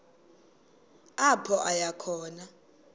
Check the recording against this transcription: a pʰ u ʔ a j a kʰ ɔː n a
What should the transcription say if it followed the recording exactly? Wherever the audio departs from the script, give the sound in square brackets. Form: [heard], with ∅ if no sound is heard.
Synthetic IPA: a pʰ [ɔ] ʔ a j a kʰ ɔː n a

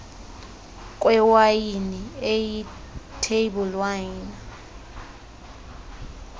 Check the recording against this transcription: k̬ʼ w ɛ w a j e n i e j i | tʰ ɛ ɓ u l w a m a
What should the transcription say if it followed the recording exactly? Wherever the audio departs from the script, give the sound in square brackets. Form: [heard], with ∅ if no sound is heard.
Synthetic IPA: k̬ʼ w ɛ w a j [i] n i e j i | tʰ [e] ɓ u l w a [n] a

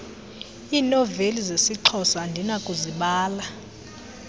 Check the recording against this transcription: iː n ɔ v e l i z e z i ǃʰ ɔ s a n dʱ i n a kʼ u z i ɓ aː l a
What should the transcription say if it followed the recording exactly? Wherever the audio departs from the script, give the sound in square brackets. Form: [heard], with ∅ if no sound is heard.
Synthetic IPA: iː n ɔ v e l i z e [s] i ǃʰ ɔ s a n dʱ i n a kʼ u z i ɓ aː l a

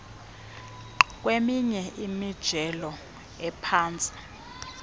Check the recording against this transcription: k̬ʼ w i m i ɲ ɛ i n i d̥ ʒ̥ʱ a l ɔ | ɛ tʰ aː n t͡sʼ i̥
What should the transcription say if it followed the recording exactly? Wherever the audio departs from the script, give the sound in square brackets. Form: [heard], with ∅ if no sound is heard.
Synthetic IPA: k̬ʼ w [e] m i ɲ ɛ i [m] i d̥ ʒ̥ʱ [ɛ] l ɔ | ɛ [pʰ] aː n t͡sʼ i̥

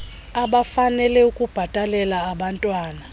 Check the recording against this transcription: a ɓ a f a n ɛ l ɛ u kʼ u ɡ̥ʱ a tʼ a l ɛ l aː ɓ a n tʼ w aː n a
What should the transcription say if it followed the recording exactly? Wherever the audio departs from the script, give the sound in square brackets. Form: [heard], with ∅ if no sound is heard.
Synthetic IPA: a ɓ a f a n ɛ l ɛ u kʼ u [b̥ʱ] a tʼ a l ɛ l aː ɓ a n tʼ w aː n a

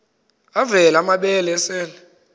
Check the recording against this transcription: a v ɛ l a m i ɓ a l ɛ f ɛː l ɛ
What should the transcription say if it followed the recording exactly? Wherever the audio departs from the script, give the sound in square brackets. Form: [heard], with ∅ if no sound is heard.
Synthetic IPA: a v ɛ l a m [a] ɓ [ɛ] l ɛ [s] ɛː l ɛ

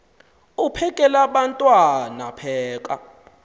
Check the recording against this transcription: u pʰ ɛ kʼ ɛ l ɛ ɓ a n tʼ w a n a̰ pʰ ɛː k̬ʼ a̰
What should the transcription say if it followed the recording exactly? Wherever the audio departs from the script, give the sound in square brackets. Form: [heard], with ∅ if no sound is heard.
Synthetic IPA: u pʰ ɛ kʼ ɛ l [a] ɓ a n tʼ w a n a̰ pʰ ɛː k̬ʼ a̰

